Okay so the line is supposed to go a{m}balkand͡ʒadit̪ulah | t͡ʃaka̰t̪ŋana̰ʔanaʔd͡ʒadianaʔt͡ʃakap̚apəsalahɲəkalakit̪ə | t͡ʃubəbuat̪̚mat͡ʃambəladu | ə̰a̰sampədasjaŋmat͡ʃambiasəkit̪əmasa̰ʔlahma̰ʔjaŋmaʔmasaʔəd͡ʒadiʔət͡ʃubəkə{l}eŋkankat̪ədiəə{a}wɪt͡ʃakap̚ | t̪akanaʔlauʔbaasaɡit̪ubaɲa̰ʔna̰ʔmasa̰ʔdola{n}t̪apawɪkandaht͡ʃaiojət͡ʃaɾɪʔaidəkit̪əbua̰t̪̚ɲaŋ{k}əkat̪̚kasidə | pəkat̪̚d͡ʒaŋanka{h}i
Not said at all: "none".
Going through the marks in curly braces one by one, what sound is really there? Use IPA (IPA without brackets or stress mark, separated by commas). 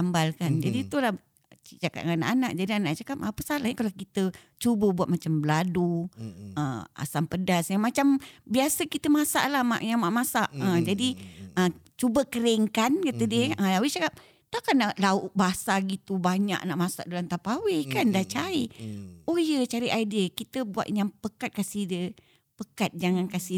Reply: m, ɾ, a, n, p, s